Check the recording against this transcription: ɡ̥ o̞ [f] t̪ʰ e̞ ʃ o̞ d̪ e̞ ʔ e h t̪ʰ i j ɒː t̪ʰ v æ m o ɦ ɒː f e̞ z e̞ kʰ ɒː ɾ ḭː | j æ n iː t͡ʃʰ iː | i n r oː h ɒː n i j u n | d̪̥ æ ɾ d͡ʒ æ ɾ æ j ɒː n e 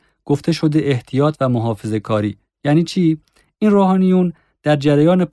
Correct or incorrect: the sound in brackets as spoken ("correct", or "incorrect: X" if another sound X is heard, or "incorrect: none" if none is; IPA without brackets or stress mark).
correct